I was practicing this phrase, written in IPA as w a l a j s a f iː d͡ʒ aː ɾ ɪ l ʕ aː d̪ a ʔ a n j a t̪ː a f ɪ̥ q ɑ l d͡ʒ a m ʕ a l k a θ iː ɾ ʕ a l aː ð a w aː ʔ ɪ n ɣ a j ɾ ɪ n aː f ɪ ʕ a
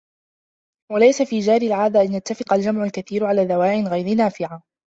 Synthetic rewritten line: w a l a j s a f iː d͡ʒ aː ɾ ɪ l ʕ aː d̪ a ʔ a n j a t̪ː a f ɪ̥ q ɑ l d͡ʒ a m ʕ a l k a θ iː ɾ ʕ a l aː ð a w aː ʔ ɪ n ɣ a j ɾ ɪ n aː f ɪ ʕ a